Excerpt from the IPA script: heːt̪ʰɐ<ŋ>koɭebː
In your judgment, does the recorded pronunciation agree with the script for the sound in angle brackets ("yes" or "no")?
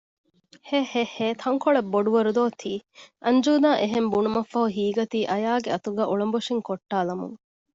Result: yes